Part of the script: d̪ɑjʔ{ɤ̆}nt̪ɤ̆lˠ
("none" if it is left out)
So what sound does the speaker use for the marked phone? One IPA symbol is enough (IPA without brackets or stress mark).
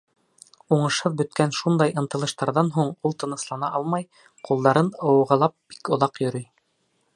ɤ̆